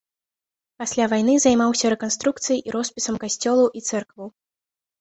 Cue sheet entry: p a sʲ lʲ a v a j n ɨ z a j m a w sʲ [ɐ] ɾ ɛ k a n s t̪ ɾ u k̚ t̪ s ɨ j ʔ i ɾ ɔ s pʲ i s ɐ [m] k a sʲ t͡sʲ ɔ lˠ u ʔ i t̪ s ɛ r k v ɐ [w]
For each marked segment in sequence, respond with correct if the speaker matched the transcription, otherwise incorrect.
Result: correct, correct, correct

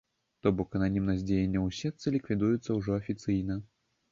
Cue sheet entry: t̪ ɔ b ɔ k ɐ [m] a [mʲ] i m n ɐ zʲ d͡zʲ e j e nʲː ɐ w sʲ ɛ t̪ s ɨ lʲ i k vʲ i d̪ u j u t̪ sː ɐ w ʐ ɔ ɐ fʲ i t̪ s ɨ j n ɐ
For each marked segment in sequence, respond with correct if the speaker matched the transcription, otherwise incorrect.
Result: incorrect, incorrect

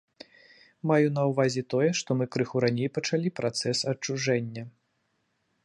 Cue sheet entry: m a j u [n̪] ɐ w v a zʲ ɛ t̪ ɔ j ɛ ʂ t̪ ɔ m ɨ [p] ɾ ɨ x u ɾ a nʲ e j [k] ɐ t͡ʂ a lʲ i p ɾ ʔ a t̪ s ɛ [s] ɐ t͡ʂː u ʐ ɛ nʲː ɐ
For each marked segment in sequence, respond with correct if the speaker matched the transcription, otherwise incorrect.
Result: correct, incorrect, incorrect, correct

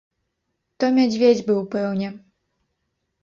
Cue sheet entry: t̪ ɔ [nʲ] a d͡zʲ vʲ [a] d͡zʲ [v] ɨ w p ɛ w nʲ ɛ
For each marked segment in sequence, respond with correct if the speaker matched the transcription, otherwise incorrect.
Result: incorrect, incorrect, incorrect

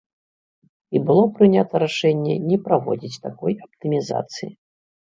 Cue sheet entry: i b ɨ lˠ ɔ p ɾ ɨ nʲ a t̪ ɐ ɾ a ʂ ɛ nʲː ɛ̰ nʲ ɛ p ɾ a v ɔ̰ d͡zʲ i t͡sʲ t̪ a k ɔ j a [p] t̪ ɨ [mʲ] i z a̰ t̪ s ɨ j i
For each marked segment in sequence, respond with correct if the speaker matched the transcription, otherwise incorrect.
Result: correct, correct

